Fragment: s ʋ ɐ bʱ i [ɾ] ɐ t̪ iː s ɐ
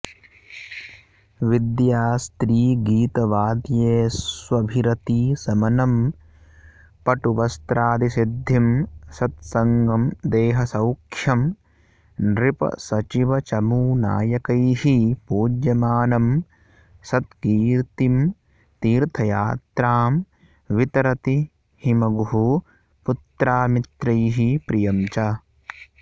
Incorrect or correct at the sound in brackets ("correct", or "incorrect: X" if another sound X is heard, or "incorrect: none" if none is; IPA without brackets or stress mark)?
correct